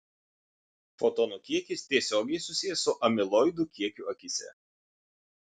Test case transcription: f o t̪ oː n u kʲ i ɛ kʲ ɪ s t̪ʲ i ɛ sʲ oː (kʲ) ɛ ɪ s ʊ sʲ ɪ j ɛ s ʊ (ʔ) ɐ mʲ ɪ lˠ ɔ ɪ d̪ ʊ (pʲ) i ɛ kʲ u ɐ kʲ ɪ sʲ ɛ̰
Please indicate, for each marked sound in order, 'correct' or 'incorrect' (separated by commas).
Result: incorrect, correct, incorrect